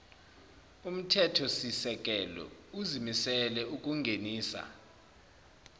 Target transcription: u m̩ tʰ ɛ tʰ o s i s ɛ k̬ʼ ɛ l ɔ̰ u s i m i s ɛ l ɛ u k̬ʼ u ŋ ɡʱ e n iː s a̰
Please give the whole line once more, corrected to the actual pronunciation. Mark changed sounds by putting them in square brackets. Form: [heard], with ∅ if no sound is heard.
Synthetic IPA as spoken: u m̩ tʰ ɛ tʰ [ɔ] s i s ɛ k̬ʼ ɛ l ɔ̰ u [z] i m i s ɛ l ɛ u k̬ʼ u ŋ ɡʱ e n iː s a̰